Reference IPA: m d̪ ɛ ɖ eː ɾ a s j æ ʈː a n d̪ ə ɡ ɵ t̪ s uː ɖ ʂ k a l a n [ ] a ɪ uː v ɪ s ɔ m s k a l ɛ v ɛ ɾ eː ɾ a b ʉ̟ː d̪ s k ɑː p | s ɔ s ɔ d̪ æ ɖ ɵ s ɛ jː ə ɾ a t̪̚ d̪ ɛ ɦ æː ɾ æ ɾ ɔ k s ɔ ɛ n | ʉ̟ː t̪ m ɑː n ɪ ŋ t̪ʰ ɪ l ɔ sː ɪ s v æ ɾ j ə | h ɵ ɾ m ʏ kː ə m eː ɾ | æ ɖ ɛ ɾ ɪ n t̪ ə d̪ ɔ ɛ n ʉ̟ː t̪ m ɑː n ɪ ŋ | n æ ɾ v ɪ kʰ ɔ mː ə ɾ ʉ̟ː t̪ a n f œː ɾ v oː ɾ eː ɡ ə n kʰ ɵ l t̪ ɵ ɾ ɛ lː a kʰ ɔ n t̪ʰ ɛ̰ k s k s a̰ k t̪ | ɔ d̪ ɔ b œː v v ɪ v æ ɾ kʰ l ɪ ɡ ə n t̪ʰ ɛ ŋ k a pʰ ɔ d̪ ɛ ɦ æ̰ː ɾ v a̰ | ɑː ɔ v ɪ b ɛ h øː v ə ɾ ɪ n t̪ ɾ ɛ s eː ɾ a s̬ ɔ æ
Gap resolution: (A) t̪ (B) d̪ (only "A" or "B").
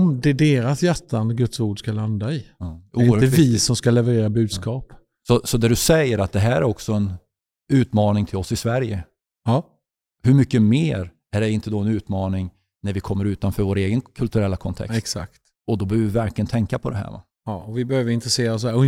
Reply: B